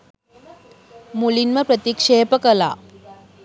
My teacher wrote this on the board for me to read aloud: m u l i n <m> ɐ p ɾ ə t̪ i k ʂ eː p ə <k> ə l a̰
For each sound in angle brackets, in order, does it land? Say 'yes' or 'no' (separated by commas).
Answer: yes, yes